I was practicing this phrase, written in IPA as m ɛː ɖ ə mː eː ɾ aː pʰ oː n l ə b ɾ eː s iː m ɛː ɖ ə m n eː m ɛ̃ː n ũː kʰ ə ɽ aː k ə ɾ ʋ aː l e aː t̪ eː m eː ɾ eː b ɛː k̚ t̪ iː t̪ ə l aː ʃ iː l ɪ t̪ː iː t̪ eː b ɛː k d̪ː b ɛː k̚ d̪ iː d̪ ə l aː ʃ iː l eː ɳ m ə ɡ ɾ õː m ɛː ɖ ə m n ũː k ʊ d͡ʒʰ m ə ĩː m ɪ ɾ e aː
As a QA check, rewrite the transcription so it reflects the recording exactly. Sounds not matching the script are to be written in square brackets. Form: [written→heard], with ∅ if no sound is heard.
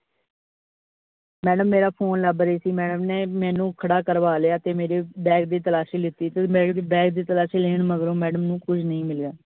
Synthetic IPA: m ɛː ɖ ə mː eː ɾ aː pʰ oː n l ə b ɾ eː s iː m ɛː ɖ ə m n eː m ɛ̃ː n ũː kʰ ə ɽ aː k ə ɾ ʋ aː l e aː t̪ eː m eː ɾ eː b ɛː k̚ [t̪→d̪] iː t̪ ə l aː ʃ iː l ɪ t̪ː iː t̪ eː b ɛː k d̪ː b ɛː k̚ d̪ iː [d̪→t̪] ə l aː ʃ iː l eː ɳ m ə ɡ ɾ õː m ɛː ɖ ə m n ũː k ʊ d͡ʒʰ [m→n] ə ĩː m ɪ [ɾ→l] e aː